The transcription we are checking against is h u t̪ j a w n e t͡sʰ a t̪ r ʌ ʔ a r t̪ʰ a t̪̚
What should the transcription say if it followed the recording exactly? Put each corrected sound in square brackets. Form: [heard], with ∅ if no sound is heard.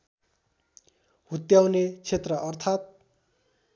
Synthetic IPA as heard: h u t̪ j a w n e t͡sʰ [e] t̪ r ʌ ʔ [ʌ] r t̪ʰ a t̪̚